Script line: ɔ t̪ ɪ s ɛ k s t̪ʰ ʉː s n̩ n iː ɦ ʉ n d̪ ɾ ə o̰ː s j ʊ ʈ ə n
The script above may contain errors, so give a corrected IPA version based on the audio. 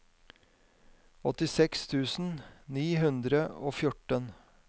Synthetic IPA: ɔ t̪ ɪ s ɛ k s t̪ʰ ʉː s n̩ n iː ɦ ʉ n d̪ ɾ ə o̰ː f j ʊ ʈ ə n